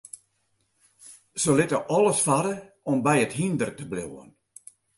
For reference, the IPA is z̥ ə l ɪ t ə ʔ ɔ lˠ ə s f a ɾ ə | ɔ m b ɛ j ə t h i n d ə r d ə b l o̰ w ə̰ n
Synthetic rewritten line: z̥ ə l ɪ t ə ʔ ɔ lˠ ə s f a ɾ ə | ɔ m b ɛ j ə t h i n d ə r t ə b l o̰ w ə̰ n